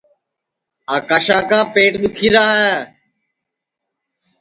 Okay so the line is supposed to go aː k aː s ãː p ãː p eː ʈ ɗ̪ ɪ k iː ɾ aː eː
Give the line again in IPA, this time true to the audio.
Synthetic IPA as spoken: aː k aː ʃ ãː k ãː p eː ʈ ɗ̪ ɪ kʰ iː ɾ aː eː